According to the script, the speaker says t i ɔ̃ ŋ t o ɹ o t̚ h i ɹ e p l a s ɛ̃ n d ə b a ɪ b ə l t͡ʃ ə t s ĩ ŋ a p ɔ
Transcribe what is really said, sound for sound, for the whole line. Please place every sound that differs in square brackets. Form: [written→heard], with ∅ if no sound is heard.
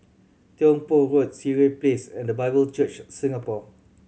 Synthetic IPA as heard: t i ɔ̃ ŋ [t→p] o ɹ o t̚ [h→s] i ɹ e p l [a→e] s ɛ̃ n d ə b a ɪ b ə l t͡ʃ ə [t→t͡ʃ] s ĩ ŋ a p ɔ